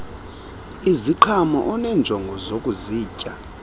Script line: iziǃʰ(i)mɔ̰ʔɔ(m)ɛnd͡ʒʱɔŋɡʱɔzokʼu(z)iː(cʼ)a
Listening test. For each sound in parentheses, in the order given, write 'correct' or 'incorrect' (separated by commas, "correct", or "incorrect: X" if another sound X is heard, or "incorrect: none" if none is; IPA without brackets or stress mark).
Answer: incorrect: a, incorrect: n, correct, correct